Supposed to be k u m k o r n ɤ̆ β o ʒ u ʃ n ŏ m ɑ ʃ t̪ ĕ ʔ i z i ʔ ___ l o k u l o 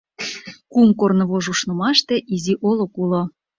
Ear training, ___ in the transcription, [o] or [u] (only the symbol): o